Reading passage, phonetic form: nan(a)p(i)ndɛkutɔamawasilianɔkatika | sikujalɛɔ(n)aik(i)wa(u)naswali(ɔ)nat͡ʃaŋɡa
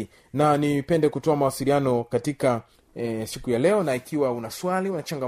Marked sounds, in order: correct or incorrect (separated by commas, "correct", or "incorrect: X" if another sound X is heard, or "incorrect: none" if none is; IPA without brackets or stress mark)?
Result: incorrect: i, incorrect: ɛ, correct, correct, correct, incorrect: u